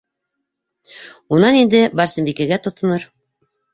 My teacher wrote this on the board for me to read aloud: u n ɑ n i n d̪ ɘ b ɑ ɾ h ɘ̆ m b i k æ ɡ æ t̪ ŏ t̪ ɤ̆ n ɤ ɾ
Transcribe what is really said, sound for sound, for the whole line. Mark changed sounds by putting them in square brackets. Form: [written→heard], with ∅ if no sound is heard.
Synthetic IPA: u n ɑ n i n d̪ ɘ b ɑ ɾ [h→s] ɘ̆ m b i k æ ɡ æ t̪ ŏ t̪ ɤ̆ n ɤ ɾ